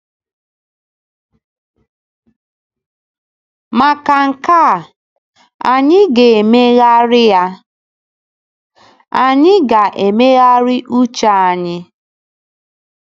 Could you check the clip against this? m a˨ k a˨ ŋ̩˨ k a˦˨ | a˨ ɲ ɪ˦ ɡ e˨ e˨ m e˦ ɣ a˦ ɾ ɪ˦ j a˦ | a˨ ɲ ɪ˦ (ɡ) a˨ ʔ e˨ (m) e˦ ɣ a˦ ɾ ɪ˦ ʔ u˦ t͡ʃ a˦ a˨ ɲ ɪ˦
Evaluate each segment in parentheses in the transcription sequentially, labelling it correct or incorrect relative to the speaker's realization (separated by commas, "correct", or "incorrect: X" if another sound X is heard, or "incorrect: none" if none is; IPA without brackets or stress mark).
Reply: correct, correct